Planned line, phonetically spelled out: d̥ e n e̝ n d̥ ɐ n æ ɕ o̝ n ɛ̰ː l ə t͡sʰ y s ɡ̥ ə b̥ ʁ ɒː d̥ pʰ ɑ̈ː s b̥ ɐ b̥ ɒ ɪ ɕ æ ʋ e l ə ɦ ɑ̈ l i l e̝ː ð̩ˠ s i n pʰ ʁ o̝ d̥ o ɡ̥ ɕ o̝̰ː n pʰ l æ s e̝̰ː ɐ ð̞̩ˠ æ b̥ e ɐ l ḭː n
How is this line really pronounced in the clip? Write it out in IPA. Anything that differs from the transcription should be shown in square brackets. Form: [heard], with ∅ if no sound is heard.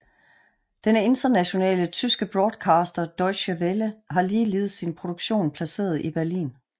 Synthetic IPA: d̥ e n e̝ n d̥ ɐ n æ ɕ o̝ n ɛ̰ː l ə t͡sʰ y s ɡ̥ ə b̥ ʁ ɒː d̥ [kʰ] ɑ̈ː s [d̥] ɐ [d̥] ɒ ɪ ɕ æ ʋ e l ə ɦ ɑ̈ l [iː] l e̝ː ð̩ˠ s i n pʰ ʁ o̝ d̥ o ɡ̥ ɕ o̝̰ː n pʰ l æ s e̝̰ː ɐ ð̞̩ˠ [i] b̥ [æ] ɐ l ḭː n

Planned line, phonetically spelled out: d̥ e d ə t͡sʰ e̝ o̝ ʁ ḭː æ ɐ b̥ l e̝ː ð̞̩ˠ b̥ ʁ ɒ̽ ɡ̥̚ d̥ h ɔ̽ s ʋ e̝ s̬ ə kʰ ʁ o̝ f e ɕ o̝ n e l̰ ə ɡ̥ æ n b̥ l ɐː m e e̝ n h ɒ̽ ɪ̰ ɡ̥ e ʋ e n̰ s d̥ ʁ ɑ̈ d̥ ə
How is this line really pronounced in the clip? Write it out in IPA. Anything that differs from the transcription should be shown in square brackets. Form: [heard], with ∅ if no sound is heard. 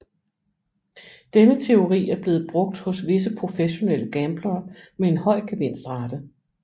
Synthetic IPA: d̥ e [n] ə t͡sʰ e̝ o̝ ʁ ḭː æ ɐ b̥ l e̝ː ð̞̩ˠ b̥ ʁ [ɔ̽] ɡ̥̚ d̥ h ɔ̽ s ʋ e̝ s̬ ə [pʰ] ʁ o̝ f e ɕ o̝ n e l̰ ə ɡ̥ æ [m] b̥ l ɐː m e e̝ n h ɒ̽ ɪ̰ ɡ̥ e ʋ e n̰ s d̥ ʁ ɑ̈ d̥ ə

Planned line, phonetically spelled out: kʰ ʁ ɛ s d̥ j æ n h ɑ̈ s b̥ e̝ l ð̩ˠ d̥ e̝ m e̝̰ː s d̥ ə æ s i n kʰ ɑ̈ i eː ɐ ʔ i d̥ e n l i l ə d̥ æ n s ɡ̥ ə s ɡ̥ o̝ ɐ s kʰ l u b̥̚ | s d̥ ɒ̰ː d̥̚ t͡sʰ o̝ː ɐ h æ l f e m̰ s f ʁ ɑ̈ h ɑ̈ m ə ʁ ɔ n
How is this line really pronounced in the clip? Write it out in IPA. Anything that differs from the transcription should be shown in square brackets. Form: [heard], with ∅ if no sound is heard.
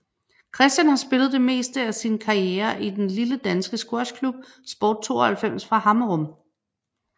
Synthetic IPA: kʰ ʁ ɛ s d̥ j æ n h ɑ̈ s b̥ e̝ l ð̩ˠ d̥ e̝ m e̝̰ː s d̥ ə æ s i n kʰ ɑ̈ i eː ɐ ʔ i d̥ e n l i l ə d̥ æ n s ɡ̥ ə s ɡ̥ o̝ ɐ s kʰ l u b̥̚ | s [b̥] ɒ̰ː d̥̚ t͡sʰ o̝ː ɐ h æ l f e m̰ s f ʁ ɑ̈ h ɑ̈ m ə ʁ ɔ [m]

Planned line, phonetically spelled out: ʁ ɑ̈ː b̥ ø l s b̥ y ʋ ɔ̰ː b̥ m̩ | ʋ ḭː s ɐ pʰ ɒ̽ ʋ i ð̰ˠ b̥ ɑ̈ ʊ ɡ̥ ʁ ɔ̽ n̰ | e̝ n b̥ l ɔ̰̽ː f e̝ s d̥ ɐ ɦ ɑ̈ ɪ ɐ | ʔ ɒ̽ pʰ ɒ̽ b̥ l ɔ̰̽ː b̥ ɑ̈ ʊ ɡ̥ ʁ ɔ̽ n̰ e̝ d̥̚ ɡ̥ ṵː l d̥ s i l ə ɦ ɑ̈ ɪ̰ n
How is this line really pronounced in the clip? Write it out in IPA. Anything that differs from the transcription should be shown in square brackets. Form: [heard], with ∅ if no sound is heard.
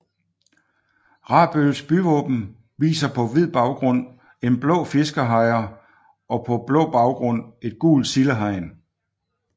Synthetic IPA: ʁ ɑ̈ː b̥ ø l s b̥ y ʋ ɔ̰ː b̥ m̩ | ʋ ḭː s ɐ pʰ ɒ̽ ʋ i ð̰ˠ b̥ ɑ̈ ʊ ɡ̥ ʁ ɔ̽ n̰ | e̝ n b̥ l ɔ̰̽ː f e̝ s [ɡ̥] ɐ ɦ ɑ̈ ɪ ɐ | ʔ ɒ̽ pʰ ɒ̽ b̥ l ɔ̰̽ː b̥ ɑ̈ ʊ ɡ̥ ʁ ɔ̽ n̰ e̝ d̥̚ ɡ̥ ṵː l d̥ s i l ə ɦ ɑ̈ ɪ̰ n

